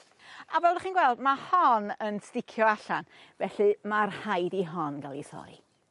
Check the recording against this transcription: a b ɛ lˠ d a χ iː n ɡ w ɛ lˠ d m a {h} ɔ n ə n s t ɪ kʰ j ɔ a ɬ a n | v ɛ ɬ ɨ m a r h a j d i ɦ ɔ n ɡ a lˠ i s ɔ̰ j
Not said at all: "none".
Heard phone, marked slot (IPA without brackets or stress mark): h